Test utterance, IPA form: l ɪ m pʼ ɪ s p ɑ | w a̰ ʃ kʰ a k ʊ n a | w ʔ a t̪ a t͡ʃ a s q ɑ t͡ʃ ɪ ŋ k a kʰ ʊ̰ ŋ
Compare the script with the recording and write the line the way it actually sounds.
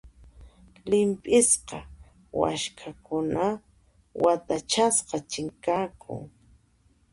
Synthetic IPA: l ɪ m pʼ ɪ s q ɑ | w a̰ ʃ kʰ a k ʊ n a | w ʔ a t̪ a t͡ʃ a s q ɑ t͡ʃ ɪ ŋ k a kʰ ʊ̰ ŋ